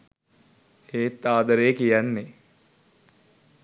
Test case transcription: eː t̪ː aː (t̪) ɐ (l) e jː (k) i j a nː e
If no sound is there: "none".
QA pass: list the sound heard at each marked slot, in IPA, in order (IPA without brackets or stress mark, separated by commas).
d̪, ɾ, k